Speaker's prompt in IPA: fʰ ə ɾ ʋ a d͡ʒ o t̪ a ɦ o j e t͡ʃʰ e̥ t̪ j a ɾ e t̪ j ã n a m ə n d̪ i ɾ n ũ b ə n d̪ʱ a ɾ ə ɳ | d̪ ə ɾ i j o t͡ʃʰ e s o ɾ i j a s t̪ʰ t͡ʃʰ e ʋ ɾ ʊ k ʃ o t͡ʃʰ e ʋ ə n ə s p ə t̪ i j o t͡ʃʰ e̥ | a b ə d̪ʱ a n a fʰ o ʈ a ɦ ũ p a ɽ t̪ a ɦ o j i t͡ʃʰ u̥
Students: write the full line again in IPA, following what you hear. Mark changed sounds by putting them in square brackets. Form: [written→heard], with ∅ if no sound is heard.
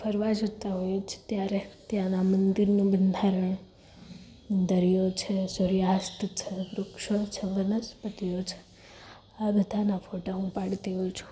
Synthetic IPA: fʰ ə ɾ ʋ a d͡ʒ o t̪ a ɦ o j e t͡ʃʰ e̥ t̪ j a ɾ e t̪ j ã n a m ə n d̪ i ɾ n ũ b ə n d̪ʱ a ɾ ə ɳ | d̪ ə ɾ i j o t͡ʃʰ e s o ɾ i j a s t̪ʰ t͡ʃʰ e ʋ ɾ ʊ k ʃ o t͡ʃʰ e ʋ ə n ə s p ə t̪ i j o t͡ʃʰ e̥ | a b ə d̪ʱ a n a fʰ o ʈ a ɦ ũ p a ɽ t̪ [a→i] ɦ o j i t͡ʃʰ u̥

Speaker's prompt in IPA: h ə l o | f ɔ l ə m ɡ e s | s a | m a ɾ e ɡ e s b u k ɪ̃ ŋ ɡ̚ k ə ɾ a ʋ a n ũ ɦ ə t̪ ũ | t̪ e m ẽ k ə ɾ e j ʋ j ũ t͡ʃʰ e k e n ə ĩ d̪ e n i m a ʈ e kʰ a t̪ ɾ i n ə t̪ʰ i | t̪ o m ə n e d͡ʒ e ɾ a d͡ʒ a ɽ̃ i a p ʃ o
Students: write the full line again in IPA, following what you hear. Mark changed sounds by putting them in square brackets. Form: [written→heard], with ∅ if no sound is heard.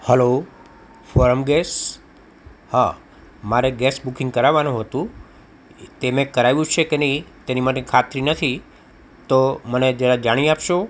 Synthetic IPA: h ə l o | f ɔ [l→ɾ] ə m ɡ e s | [s→h] a | m a ɾ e ɡ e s b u k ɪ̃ ŋ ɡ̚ k ə ɾ a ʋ a n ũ ɦ ə t̪ ũ | t̪ e m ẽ k ə ɾ [e→a] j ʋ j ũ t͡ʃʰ e k e n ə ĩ [d̪→t̪] e n i m a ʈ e kʰ a t̪ ɾ i n ə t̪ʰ i | t̪ o m ə n e d͡ʒ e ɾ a d͡ʒ a ɽ̃ i a p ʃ o

